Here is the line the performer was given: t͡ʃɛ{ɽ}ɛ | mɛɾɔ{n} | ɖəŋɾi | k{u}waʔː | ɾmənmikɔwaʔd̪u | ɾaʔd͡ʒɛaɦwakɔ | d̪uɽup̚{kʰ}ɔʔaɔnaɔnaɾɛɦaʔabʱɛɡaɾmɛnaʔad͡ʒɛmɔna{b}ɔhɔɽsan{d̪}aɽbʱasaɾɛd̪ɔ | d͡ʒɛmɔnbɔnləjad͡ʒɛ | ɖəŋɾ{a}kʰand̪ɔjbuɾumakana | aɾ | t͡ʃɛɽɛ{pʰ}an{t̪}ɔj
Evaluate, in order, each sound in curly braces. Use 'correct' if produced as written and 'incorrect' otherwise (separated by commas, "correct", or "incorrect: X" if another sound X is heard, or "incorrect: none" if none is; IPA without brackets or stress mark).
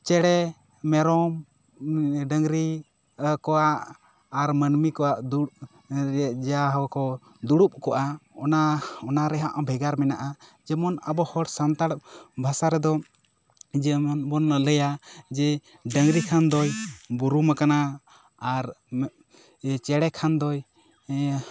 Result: correct, incorrect: m, incorrect: ɔ, incorrect: k, correct, incorrect: t̪, incorrect: i, incorrect: kʰ, incorrect: d̪